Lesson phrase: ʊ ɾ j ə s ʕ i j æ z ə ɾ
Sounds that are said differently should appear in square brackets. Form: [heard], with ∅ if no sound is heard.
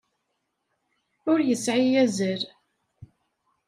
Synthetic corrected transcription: ʊ ɾ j ə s ʕ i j æ z ə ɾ

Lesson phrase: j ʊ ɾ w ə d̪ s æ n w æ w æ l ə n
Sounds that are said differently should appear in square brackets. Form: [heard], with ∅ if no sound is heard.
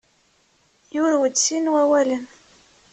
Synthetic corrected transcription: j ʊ ɾ w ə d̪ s [i] n w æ w æ l ə n

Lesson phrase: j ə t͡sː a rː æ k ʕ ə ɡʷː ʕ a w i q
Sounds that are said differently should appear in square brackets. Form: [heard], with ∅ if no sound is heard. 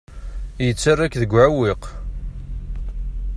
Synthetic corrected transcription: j ə t͡sː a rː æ k [ð] ə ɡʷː ʕ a w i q

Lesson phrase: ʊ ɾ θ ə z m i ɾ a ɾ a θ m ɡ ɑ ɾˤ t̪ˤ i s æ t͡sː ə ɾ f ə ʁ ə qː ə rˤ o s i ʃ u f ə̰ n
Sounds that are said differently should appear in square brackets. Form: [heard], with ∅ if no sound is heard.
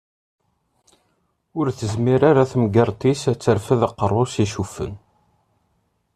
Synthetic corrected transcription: ʊ ɾ θ ə z m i ɾ a ɾ a θ m ɡ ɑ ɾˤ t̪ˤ i s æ t͡sː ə ɾ f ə [ð] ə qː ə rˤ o s i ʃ u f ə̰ n

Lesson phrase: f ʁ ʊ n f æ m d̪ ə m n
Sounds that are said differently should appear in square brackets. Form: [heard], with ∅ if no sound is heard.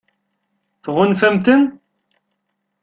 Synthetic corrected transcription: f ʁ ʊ n f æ m [t̪] ə [∅] n

